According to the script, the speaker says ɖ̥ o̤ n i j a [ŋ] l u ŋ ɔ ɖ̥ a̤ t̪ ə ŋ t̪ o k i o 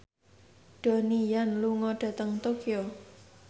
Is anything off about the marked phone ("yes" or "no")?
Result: yes